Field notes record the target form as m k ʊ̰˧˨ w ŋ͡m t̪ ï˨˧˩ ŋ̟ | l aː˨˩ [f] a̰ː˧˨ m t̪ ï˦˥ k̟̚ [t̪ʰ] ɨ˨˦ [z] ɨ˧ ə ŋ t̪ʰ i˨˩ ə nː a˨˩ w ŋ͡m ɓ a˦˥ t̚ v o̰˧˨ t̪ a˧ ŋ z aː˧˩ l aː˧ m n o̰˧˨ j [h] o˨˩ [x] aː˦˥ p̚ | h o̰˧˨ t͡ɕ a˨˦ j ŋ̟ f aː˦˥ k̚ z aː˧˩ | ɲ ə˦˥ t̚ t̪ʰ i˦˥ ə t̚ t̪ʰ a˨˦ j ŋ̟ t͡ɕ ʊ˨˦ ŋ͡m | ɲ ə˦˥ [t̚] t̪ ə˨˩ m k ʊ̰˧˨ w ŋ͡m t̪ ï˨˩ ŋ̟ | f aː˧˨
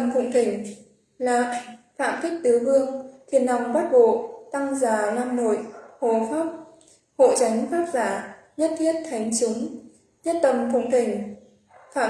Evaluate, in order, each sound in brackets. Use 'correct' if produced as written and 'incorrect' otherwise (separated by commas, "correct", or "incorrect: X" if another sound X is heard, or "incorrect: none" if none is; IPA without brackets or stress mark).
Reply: correct, incorrect: t̪, incorrect: v, correct, incorrect: f, correct